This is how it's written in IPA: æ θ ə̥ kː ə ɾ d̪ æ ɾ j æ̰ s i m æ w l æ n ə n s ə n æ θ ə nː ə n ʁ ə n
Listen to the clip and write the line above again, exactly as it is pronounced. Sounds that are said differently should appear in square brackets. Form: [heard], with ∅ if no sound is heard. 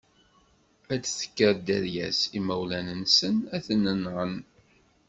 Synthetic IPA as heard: æ θ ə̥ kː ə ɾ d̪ æ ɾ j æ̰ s i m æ w l æ n ə n s ə n æ θ ə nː ə n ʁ ə n